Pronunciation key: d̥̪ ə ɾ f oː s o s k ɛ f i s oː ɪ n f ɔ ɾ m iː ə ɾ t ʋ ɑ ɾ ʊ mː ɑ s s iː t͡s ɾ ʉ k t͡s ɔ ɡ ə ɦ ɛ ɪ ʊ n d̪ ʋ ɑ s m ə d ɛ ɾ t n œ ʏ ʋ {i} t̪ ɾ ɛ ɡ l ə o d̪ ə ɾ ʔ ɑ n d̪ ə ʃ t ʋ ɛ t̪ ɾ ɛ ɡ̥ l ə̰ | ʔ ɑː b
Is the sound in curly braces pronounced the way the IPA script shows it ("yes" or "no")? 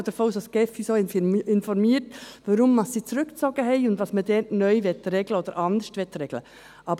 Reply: no